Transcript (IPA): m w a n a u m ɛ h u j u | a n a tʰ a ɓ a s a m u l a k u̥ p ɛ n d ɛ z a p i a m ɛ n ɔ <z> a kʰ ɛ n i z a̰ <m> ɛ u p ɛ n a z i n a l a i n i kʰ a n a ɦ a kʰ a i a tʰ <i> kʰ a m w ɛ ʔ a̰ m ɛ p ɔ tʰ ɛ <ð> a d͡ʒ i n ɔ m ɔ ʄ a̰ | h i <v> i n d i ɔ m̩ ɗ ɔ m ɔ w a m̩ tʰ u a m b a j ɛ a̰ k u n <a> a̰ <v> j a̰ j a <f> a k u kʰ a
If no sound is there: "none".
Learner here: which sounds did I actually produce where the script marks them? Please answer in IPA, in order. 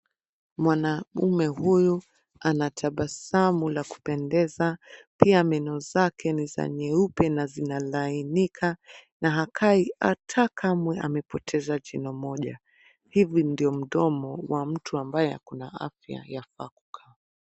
z, ɲ, a, z, v, a, f, f

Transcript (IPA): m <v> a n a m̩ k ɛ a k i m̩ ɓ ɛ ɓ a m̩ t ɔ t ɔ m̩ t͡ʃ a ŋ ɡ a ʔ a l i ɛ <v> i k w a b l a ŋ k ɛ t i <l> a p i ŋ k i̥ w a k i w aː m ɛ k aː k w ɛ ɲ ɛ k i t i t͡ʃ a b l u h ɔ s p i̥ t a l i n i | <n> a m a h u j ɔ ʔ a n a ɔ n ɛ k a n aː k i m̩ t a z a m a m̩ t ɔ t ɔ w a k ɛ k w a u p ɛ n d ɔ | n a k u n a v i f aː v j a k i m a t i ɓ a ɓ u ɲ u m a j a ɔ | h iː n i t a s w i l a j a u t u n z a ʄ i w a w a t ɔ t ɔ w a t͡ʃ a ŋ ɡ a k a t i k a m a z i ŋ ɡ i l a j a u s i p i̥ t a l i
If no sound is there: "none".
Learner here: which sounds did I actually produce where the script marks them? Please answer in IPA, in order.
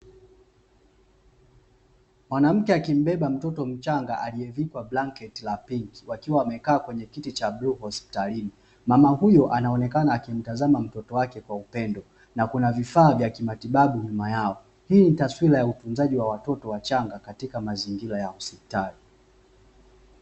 w, v, l, m

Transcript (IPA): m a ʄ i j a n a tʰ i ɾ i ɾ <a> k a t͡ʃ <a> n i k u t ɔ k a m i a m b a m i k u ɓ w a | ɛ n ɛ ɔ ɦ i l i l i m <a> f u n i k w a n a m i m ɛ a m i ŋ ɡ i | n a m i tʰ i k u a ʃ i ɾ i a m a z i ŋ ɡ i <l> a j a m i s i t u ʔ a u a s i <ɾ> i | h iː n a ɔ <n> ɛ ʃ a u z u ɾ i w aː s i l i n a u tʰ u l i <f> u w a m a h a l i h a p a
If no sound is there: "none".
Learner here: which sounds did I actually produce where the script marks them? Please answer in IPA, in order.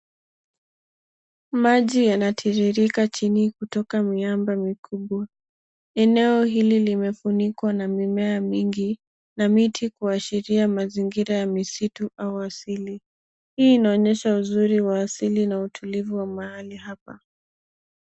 i, i, ɛ, ɾ, l, ɲ, v

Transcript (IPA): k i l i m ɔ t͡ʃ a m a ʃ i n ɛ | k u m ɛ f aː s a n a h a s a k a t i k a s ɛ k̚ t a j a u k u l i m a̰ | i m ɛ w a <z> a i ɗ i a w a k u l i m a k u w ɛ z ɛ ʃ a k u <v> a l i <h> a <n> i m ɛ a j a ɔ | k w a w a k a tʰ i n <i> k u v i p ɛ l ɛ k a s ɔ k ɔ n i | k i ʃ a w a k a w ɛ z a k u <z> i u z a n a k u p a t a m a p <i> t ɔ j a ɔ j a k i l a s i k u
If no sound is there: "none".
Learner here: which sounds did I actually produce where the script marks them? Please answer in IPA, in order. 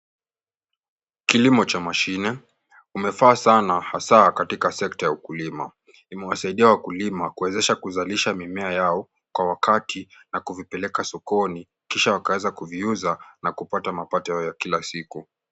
s, z, ʃ, m, a, v, a

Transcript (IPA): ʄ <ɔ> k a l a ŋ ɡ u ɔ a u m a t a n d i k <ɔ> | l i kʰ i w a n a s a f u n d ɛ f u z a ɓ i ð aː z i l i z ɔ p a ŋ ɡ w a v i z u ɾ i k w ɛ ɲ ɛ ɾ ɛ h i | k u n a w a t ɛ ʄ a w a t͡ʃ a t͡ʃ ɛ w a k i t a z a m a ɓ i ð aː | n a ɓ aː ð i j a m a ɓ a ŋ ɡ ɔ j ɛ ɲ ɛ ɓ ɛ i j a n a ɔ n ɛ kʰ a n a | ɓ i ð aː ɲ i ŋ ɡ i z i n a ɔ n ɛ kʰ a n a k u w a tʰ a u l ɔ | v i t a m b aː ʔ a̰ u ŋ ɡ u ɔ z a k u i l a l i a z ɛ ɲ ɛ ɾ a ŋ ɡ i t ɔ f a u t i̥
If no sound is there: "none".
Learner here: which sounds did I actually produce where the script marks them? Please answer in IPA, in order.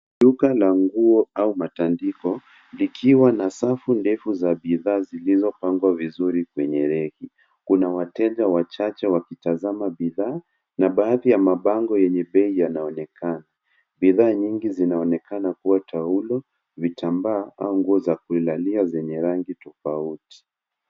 u, ɔ

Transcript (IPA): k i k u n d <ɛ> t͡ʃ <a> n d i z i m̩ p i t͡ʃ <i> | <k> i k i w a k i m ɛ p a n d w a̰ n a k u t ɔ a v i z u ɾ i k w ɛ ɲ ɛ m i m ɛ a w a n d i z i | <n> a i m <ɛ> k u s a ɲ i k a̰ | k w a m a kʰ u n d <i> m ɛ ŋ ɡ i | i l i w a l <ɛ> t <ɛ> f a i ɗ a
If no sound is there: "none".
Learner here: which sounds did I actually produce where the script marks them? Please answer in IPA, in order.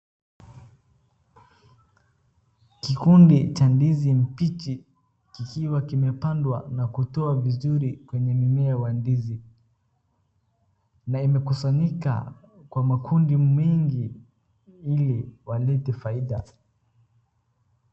i, a, i, k, n, ɛ, i, ɛ, ɛ

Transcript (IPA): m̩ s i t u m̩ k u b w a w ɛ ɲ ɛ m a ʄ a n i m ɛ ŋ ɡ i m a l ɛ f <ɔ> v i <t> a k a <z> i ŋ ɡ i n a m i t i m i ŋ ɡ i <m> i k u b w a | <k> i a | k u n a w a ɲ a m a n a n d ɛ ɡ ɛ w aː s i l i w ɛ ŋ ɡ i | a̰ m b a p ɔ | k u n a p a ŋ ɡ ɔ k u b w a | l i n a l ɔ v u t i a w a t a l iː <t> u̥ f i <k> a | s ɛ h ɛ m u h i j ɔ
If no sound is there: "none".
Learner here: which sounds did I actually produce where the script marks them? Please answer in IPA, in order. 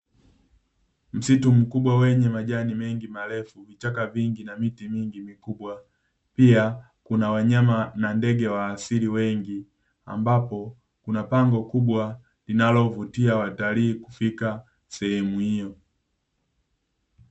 u, t͡ʃ, v, m, p, k, k

